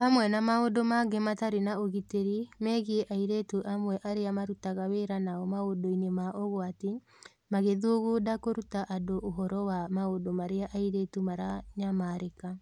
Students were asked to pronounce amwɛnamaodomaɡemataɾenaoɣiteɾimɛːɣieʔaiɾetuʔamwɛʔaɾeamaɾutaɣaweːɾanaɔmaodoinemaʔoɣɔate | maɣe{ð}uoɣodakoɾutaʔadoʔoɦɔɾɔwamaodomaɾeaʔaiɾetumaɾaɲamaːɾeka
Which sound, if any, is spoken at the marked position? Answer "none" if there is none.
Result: ð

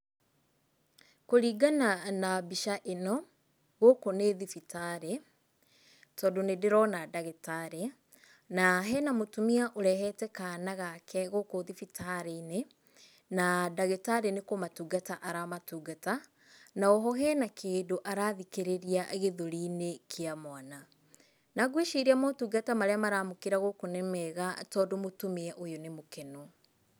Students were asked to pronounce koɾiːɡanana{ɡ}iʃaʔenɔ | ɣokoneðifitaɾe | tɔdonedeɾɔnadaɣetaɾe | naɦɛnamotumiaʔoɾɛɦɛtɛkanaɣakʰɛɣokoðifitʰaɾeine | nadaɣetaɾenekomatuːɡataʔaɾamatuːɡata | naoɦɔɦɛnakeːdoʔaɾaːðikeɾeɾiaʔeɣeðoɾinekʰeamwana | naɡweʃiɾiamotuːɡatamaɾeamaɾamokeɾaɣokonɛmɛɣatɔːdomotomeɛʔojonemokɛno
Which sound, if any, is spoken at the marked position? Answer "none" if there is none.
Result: b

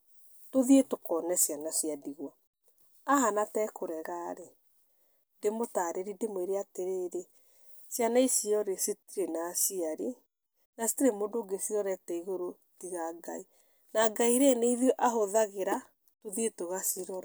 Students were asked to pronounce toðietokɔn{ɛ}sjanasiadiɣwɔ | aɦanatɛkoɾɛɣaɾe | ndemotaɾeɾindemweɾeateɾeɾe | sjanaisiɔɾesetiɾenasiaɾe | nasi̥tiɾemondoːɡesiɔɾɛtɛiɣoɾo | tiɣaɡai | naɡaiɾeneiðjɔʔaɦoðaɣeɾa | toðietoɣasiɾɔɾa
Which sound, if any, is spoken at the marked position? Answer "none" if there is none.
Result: ɛ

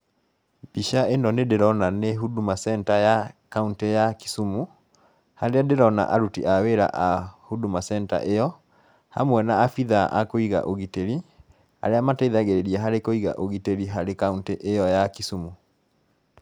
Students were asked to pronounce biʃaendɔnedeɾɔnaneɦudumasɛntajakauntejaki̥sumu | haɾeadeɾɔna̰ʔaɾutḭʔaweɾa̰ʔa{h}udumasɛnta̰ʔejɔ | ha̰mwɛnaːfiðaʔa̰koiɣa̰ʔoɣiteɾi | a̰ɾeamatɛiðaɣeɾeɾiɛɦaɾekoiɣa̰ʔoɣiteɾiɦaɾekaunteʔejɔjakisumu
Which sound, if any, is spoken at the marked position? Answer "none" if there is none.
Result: h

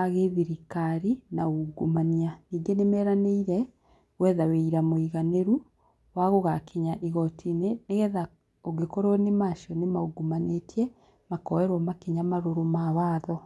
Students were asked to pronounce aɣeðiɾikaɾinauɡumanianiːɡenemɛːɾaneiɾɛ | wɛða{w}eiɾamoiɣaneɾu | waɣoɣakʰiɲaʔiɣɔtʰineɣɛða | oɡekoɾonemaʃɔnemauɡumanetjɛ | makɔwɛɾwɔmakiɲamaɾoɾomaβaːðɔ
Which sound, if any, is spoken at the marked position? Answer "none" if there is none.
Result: w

